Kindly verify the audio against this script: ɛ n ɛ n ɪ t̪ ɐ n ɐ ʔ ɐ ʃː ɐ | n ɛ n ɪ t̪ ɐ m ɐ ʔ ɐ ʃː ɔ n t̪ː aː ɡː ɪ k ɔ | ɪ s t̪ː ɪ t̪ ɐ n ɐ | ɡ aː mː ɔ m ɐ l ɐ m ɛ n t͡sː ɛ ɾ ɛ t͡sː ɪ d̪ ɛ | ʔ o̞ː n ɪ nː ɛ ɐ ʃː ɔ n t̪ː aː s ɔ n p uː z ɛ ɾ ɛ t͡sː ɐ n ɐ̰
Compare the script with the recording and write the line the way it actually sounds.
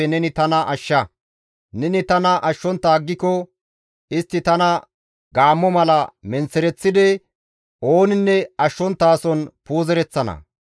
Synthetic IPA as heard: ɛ n ɛ n ɪ t̪ ɐ n ɐ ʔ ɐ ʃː ɐ | n ɛ n ɪ t̪ ɐ n ɐ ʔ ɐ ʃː ɔ n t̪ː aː ɡː ɪ k ɔ | ɪ s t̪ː ɪ t̪ ɐ n ɐ | ɡ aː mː ɔ m ɐ l ɐ m ɛ n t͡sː ɛ ɾ ɛ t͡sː ɪ d̪ ɛ | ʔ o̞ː n ɪ nː ɛ ɐ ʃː ɔ n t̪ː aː s ɔ n p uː z ɛ ɾ ɛ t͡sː ɐ n ɐ̰